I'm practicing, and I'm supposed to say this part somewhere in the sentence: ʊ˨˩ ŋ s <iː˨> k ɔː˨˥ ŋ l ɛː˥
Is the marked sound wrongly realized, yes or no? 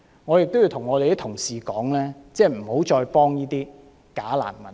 no